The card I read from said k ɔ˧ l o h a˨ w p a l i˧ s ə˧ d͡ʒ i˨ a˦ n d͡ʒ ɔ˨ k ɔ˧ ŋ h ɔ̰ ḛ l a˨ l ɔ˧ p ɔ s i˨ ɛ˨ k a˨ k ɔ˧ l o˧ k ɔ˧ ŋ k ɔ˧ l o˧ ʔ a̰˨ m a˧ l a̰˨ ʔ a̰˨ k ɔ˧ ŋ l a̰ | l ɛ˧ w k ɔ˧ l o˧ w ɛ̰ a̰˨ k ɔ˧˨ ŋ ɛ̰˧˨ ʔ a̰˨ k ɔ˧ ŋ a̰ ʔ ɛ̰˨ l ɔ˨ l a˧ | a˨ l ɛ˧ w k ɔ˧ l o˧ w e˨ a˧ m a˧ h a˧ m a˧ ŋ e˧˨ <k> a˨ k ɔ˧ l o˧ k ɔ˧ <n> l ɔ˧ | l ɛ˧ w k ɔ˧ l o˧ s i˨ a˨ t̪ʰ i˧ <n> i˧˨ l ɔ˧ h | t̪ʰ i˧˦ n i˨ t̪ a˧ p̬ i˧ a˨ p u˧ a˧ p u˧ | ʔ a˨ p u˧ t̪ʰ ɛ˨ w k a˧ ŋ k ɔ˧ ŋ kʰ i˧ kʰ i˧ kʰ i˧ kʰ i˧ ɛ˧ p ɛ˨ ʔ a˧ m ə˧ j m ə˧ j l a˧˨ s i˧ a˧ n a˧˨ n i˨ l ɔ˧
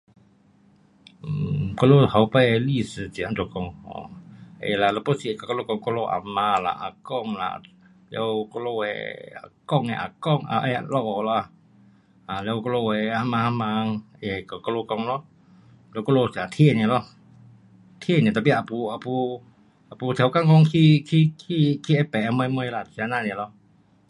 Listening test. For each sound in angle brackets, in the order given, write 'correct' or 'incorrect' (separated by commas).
correct, incorrect, correct